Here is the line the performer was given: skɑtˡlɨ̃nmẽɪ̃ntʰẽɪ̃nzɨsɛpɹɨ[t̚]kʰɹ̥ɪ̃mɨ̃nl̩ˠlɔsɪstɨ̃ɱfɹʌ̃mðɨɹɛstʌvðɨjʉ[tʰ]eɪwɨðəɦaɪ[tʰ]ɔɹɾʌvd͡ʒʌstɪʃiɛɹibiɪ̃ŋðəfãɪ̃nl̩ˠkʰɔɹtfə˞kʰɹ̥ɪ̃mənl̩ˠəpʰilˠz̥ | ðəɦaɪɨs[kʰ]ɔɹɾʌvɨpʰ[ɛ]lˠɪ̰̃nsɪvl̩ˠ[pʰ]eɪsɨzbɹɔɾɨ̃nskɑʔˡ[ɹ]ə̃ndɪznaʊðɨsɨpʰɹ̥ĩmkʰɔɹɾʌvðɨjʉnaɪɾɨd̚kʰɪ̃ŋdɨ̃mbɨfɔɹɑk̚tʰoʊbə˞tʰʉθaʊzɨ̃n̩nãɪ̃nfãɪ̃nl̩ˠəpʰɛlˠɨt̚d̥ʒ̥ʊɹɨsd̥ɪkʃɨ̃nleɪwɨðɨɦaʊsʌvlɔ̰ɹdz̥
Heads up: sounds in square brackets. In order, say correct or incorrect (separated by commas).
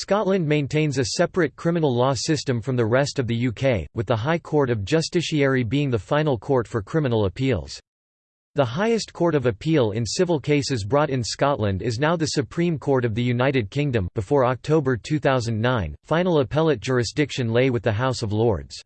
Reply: correct, incorrect, incorrect, correct, incorrect, incorrect, incorrect